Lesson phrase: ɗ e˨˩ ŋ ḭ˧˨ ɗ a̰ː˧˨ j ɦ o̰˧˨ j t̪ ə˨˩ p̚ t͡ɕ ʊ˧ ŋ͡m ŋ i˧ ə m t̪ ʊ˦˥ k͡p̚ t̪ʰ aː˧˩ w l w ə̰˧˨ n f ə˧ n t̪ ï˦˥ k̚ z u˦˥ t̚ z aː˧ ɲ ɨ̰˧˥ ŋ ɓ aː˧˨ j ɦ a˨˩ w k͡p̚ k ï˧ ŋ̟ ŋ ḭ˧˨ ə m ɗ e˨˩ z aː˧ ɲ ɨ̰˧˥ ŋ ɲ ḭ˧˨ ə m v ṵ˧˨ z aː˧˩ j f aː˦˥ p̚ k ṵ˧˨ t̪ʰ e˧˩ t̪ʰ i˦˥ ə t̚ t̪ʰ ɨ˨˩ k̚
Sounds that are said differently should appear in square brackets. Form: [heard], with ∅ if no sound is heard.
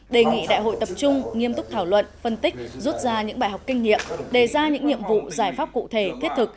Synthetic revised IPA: ɗ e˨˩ ŋ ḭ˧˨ ɗ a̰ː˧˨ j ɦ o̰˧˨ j t̪ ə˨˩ p̚ t͡ɕ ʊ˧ ŋ͡m ŋ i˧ ə m t̪ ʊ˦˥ k͡p̚ t̪ʰ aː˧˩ w l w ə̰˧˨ n f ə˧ n t̪ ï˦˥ k̚ z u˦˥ t̚ z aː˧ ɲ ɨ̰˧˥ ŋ ɓ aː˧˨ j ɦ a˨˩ w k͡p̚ k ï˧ ŋ̟ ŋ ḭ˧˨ ə m ɗ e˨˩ z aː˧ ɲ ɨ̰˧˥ ŋ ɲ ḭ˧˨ ə m v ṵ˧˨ z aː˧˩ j f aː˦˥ p̚ k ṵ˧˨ t̪ʰ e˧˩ t̪ʰ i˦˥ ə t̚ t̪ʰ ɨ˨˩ k̚